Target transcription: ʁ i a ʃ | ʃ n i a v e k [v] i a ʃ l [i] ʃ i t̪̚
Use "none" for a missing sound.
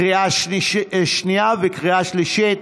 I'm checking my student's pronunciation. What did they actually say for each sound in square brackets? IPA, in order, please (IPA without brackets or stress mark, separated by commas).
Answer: ʁ, i